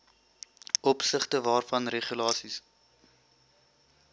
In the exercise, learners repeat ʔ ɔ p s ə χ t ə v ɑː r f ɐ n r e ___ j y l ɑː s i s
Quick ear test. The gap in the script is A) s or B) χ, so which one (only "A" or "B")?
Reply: B